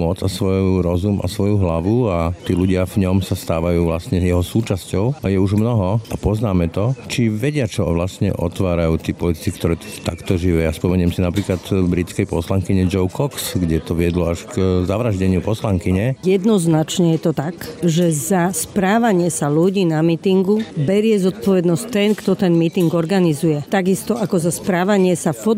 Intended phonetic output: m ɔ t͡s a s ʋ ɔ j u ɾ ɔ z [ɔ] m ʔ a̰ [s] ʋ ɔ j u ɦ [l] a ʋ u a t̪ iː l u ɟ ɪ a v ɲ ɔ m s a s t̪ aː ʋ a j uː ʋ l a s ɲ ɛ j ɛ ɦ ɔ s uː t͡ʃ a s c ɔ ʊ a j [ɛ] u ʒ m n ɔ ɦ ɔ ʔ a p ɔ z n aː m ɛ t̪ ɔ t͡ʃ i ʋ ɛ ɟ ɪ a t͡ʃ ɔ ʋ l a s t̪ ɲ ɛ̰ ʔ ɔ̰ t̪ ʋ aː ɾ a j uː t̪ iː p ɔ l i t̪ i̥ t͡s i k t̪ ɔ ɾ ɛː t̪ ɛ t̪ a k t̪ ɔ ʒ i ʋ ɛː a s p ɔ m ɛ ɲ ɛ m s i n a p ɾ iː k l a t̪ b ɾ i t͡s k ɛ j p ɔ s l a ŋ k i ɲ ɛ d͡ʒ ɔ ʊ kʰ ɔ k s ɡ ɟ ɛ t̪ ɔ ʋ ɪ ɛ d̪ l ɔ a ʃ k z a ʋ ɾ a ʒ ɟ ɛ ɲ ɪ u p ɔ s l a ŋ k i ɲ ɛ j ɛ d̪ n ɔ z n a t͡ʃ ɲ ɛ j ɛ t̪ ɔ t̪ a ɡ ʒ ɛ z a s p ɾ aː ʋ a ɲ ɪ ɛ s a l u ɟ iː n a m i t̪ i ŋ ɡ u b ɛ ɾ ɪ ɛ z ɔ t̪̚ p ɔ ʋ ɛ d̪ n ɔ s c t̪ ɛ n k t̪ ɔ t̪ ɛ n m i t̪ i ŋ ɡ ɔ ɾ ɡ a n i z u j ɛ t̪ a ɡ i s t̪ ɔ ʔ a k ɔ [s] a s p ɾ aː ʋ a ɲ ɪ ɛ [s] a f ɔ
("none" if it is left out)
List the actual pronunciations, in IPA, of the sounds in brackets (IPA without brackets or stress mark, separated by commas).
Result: u, s, l, ɛ, z, s